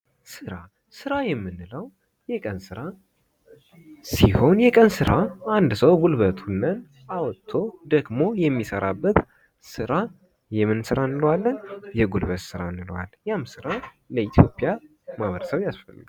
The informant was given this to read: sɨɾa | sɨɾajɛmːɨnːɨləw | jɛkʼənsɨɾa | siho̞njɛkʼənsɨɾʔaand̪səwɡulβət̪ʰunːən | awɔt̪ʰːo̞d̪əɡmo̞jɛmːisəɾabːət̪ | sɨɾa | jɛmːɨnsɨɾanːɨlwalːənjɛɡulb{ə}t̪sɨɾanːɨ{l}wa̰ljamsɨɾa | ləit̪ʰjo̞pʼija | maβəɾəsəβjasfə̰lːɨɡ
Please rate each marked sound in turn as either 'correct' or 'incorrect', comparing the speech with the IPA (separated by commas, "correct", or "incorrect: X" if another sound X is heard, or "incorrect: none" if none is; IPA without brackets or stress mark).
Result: correct, correct